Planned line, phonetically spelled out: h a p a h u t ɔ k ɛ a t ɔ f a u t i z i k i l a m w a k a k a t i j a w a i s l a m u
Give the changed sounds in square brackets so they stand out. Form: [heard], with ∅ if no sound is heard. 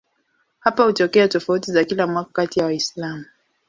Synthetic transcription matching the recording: h a p a h u t ɔ k ɛ a t ɔ f a u t i z [a] k i l a m w a k a k a t i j a w a i s l a m u